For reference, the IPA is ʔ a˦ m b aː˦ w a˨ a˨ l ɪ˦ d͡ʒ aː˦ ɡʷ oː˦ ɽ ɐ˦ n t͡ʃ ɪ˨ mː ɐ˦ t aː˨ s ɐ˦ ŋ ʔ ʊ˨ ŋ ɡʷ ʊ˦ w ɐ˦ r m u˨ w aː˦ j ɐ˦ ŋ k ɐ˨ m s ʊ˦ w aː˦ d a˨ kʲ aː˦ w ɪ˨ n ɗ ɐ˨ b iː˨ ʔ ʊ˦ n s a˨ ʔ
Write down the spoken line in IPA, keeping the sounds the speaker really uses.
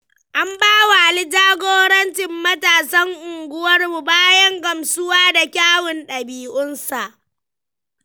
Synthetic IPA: ʔ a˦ m b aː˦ w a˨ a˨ l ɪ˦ d͡ʒ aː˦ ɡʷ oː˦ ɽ ɐ˦ n t͡ʃ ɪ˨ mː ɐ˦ t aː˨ s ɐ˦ ŋ ʔ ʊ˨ ŋ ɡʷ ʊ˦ w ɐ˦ r m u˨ b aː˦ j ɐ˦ ŋ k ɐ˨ m s ʊ˦ w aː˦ d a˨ kʲ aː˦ w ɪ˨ n ɗ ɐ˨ b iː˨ ʔ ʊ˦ n s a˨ ʔ